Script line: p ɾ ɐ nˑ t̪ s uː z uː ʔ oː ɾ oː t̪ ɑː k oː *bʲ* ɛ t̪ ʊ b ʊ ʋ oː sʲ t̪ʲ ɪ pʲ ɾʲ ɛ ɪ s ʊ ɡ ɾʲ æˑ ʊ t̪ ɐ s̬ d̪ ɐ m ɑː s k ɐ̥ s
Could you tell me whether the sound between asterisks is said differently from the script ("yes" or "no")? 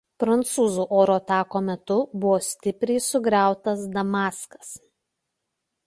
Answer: yes